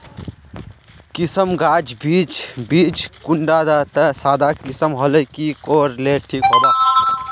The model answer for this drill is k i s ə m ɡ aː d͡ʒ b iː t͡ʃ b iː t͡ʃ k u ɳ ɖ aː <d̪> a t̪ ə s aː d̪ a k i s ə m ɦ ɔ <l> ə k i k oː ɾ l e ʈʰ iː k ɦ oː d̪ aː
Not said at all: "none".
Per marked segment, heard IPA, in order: d̪, l

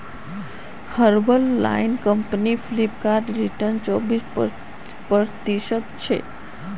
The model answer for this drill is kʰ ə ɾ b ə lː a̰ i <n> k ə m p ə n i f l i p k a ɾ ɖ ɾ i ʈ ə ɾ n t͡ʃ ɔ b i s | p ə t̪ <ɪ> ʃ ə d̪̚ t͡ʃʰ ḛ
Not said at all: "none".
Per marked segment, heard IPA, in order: n, i

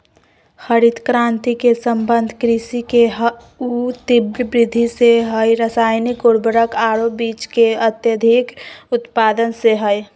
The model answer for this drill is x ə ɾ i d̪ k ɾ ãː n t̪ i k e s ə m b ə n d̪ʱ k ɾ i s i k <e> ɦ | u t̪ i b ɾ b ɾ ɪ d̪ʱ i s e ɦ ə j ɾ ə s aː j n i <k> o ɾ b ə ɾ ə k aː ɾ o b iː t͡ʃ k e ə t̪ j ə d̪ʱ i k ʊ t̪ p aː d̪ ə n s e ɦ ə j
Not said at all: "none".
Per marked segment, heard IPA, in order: e, k

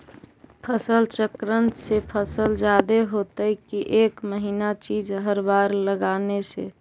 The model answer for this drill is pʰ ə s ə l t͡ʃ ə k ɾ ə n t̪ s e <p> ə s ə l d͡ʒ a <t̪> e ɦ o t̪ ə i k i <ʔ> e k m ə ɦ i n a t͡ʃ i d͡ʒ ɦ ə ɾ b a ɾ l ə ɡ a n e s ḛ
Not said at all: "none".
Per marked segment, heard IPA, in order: pʰ, d̪, ʔ

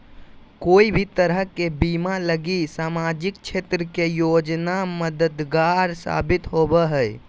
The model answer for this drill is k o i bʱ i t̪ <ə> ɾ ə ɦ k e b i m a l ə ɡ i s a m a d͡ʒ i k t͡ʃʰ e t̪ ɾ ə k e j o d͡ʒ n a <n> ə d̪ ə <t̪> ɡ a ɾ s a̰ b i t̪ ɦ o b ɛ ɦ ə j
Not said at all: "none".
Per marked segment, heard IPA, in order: ə, m, d̪

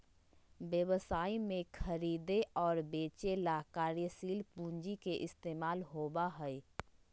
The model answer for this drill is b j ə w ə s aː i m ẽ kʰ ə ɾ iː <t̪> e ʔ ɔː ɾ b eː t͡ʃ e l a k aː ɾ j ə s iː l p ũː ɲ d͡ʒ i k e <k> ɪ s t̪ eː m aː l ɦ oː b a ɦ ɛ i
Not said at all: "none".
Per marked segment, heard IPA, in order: d̪, ʔ

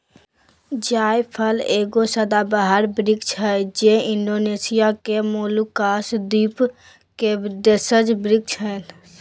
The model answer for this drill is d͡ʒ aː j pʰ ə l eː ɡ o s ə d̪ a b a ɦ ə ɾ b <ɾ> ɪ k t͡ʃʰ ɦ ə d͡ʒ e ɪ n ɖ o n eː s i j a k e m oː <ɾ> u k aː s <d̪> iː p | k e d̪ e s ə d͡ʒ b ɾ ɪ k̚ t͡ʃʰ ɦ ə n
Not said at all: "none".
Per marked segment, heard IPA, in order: ɾ, l, d̪

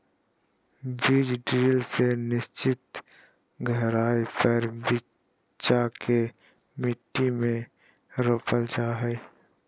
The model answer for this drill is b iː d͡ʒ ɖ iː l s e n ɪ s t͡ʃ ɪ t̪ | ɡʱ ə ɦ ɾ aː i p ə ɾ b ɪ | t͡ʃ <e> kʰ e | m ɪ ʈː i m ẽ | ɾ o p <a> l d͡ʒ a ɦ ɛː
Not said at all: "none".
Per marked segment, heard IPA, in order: a, ə

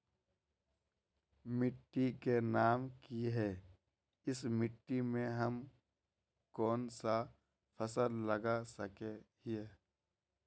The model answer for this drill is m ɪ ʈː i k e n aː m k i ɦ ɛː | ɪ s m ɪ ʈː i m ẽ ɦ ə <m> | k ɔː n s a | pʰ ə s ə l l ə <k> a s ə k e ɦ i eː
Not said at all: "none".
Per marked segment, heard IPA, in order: m, ɡ

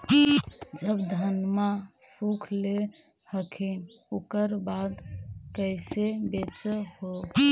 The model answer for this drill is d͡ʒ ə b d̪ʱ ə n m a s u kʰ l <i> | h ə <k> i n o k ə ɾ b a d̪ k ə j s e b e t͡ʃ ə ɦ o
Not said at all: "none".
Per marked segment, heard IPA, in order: e, kʰ

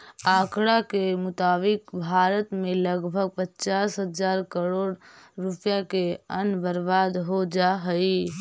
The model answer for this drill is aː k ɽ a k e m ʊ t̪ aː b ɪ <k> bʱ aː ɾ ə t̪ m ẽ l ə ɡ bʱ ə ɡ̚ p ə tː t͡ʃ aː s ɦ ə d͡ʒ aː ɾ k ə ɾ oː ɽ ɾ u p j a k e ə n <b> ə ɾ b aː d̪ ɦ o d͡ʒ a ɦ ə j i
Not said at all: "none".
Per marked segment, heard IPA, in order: k, b

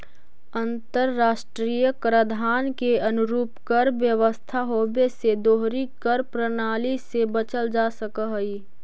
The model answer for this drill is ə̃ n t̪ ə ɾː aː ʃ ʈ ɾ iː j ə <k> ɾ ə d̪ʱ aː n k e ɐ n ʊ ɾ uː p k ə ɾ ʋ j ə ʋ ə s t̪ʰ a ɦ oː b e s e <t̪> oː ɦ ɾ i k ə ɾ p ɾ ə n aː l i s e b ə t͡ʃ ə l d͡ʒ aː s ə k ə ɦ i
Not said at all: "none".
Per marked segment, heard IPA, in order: k, d̪

